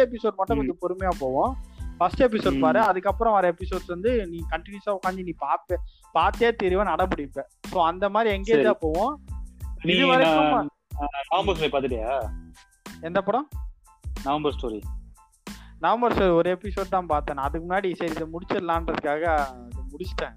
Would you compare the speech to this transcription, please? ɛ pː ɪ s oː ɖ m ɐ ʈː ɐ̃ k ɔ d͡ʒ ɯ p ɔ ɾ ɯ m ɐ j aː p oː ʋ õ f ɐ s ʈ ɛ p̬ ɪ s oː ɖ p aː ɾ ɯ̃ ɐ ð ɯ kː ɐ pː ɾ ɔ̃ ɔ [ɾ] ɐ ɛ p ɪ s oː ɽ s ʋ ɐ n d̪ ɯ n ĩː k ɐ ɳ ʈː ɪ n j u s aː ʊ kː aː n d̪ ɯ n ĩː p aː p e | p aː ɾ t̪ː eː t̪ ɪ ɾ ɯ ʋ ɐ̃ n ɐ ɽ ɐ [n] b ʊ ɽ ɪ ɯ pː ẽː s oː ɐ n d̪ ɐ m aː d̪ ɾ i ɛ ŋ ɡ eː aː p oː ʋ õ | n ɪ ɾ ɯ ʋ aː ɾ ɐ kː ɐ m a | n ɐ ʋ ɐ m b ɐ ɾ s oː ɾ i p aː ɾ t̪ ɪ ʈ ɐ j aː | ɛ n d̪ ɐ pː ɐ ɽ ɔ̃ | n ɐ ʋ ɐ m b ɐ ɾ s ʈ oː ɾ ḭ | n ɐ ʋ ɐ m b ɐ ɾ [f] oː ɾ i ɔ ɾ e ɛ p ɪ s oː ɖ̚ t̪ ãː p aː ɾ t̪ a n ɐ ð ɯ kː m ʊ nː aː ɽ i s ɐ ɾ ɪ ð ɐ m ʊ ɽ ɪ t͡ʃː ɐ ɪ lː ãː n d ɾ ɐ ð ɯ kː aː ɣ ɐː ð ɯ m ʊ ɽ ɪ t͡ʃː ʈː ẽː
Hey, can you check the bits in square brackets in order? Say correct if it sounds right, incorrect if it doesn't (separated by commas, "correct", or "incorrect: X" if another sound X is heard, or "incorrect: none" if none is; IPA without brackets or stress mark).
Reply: correct, incorrect: m, incorrect: s